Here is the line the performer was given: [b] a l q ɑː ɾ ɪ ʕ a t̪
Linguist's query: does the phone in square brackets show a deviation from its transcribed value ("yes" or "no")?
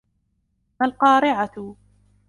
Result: yes